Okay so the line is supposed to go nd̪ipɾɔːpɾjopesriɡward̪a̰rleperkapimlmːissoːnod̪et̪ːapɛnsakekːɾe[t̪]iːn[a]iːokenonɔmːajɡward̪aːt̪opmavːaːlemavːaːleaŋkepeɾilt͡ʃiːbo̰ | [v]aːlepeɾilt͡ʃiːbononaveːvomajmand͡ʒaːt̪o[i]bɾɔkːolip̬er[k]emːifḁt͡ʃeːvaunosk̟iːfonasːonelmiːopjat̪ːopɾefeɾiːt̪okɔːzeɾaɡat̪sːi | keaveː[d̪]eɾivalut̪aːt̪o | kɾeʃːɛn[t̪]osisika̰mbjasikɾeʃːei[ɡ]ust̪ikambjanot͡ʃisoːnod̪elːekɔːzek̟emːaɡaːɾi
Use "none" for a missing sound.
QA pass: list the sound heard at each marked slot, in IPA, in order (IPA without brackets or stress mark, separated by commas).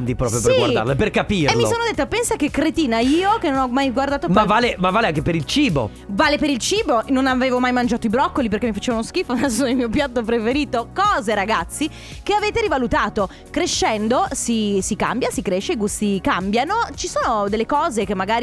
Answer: t̪, a, v, i, k, t̪, d̪, ɡ